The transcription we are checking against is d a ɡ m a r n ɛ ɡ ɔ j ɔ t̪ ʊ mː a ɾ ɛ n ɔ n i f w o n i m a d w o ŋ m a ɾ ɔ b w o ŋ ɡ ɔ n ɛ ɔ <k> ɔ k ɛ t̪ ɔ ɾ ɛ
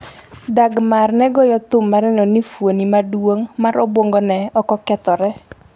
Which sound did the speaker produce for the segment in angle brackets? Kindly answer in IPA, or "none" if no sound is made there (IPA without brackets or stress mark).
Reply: k